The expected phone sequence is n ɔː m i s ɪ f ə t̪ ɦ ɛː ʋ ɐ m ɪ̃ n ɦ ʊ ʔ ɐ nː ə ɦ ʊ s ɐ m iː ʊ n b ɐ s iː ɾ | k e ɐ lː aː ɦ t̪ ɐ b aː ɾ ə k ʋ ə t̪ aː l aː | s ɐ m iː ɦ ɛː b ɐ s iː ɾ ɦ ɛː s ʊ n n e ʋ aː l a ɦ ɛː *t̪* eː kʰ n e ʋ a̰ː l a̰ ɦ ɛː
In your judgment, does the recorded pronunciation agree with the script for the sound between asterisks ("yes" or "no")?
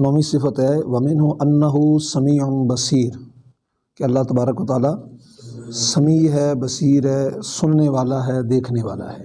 no